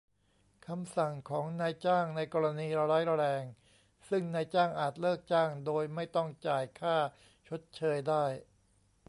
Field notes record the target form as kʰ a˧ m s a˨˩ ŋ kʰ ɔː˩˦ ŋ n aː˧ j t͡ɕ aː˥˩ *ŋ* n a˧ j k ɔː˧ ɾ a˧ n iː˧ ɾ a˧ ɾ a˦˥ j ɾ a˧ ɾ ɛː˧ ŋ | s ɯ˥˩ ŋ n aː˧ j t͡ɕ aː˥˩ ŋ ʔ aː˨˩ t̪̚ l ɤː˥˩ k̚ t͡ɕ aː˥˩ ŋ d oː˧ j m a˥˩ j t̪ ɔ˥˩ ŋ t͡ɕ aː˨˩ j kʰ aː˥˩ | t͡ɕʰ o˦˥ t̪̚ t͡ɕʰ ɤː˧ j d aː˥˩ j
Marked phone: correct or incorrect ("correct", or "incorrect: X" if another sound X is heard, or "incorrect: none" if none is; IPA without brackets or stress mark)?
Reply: correct